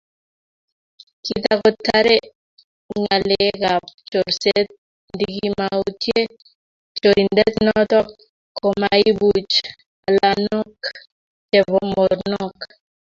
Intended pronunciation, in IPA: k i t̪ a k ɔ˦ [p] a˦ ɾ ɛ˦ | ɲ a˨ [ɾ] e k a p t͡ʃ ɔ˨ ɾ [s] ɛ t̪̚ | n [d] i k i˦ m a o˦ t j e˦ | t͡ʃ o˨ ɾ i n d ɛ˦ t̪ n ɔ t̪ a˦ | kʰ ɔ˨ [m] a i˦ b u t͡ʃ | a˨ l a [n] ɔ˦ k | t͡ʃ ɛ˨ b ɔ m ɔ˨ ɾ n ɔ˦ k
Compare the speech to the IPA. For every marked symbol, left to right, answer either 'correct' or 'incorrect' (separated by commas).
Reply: incorrect, incorrect, correct, correct, correct, correct